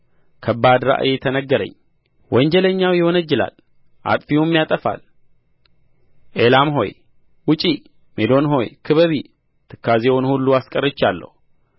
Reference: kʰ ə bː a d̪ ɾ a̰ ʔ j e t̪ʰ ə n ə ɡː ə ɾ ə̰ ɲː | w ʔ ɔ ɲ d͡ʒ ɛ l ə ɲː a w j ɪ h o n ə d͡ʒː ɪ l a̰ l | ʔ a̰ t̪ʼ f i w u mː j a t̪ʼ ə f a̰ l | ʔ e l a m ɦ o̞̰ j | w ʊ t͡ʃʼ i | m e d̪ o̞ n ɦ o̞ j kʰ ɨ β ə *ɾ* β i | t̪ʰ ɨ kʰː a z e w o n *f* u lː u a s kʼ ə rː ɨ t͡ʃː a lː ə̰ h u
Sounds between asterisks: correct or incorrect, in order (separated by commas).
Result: incorrect, incorrect